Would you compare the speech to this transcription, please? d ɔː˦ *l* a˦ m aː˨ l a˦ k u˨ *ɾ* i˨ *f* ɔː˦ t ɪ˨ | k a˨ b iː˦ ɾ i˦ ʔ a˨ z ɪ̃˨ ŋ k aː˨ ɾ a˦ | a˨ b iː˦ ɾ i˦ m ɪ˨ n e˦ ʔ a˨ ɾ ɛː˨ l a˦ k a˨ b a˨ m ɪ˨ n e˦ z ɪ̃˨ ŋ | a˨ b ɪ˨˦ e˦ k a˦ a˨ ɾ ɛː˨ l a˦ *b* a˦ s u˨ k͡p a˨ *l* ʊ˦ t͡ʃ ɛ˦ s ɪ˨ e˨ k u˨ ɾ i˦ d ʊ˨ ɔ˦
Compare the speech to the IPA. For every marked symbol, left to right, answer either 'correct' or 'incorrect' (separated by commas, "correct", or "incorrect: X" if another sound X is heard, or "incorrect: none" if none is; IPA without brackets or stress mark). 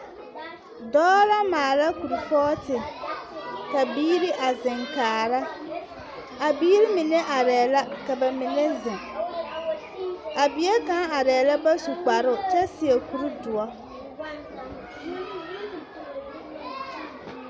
correct, correct, correct, correct, incorrect: ɾ